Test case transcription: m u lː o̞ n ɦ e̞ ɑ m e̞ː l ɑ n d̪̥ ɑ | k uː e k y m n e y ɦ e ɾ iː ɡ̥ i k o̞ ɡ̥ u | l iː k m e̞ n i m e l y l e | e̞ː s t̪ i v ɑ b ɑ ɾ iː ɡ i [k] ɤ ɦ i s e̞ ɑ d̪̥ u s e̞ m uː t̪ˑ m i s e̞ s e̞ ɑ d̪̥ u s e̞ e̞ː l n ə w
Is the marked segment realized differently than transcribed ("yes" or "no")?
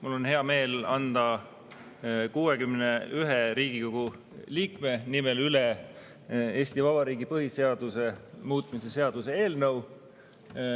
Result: yes